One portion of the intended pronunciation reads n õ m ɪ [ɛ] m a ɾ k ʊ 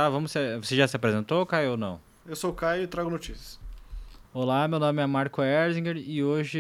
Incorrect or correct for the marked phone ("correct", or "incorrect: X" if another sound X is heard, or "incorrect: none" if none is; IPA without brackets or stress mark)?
correct